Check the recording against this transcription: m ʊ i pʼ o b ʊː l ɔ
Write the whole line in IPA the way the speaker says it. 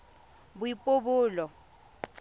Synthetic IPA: b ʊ i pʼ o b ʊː l ɔ

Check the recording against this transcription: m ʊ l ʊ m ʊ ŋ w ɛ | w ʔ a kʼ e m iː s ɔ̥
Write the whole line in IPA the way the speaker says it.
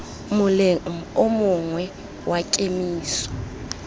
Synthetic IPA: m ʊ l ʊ m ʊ ŋ w ɛ | w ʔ a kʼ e m iː s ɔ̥

